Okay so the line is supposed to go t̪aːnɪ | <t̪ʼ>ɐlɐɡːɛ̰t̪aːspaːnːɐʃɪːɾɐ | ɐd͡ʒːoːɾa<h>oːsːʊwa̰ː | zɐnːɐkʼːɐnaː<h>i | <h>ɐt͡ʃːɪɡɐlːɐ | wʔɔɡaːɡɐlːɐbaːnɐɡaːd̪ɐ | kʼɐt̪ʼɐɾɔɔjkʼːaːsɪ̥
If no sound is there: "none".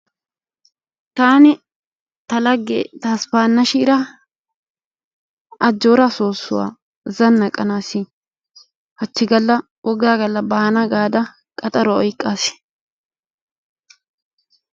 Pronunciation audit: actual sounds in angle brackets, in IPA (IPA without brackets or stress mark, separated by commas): t̪, s, s, h